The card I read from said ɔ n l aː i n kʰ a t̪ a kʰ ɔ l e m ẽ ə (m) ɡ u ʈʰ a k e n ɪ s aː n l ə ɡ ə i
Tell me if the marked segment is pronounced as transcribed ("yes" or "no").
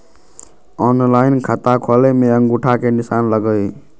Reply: no